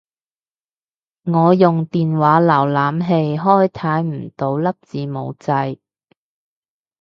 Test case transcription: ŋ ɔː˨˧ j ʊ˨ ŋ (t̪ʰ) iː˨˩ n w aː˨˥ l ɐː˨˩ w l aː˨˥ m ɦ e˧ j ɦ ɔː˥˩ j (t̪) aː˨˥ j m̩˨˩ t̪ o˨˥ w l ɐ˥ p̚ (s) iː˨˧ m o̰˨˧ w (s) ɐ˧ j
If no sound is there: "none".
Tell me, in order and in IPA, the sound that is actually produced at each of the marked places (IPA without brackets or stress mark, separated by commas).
t̪, t̪ʰ, t͡s, t͡s